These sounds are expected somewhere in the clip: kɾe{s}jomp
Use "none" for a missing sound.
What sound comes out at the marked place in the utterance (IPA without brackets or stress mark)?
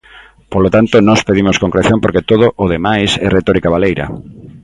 θ